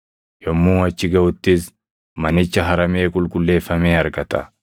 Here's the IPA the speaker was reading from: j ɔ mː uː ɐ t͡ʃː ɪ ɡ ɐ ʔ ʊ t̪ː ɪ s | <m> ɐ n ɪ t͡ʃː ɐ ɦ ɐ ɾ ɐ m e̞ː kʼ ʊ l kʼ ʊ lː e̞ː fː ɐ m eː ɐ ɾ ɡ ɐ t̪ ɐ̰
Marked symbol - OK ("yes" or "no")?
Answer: yes